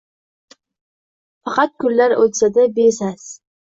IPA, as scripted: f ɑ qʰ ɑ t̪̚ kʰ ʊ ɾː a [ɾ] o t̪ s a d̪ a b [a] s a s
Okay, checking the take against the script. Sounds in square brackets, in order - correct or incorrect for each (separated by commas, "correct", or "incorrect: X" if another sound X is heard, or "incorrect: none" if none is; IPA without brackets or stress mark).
correct, incorrect: e